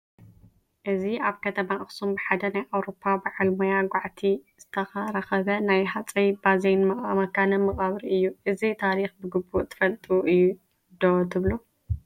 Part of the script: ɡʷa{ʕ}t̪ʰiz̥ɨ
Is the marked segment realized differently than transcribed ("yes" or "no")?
no